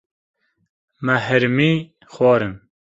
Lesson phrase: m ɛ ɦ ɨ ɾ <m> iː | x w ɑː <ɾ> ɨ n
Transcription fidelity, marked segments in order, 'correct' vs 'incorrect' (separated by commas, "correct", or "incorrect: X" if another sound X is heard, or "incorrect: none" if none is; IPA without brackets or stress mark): correct, correct